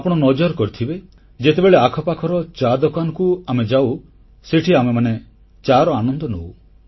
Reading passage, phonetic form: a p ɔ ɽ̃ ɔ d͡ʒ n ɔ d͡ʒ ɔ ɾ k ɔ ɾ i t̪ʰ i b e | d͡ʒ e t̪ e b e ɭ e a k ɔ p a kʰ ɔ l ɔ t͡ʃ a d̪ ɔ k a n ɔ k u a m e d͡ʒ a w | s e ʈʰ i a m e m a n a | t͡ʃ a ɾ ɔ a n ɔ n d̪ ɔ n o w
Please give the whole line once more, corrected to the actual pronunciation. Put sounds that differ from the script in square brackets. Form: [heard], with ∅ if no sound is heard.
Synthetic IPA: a p ɔ ɽ̃ ɔ [∅] n ɔ d͡ʒ ɔ ɾ k ɔ ɾ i t̪ʰ i b e | d͡ʒ e t̪ e b e ɭ e a [kʰ] ɔ p a kʰ ɔ [ɾ] ɔ t͡ʃ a d̪ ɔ k a n ɔ k u a m e d͡ʒ a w | s e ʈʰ i a m e m a n [e] | t͡ʃ a ɾ ɔ a n ɔ n d̪ ɔ n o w